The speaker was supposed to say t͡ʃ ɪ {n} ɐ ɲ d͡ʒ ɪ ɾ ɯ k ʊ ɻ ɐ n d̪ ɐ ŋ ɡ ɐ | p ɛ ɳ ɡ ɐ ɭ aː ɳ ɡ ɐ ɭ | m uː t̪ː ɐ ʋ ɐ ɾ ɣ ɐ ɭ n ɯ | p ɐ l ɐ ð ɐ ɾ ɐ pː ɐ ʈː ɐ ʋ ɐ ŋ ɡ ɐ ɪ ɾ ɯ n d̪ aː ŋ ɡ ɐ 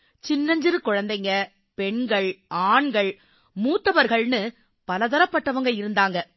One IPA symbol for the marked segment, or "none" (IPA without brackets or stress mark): nː